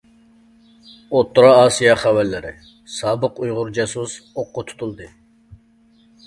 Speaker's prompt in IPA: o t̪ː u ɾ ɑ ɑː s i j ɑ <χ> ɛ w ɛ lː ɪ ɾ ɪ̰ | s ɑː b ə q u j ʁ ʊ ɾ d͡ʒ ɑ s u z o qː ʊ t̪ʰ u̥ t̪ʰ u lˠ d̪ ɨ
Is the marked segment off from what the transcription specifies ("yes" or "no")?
no